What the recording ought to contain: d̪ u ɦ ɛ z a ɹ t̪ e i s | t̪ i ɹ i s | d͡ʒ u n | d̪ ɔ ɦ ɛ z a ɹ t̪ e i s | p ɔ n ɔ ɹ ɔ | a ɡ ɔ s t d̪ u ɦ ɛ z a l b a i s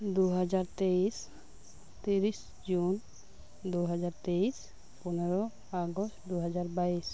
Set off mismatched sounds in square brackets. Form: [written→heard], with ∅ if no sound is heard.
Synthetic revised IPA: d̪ u ɦ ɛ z a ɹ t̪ e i s | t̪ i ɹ i s | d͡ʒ u n | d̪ [ɔ→u] ɦ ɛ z a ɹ t̪ e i s | p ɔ n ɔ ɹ ɔ | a ɡ ɔ s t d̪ u ɦ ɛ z a [l→ɹ] b a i s